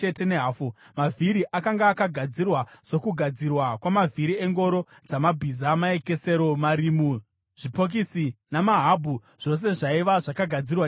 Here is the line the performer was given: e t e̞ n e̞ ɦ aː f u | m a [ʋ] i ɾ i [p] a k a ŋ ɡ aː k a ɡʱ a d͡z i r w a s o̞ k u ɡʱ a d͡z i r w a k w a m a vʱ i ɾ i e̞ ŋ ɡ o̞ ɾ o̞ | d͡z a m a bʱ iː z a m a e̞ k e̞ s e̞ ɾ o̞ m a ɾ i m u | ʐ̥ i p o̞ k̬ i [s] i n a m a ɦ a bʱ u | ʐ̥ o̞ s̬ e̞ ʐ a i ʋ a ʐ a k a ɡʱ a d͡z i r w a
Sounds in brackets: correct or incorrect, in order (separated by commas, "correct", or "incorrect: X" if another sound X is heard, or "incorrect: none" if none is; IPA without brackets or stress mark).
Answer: incorrect: v, incorrect: ʔ, correct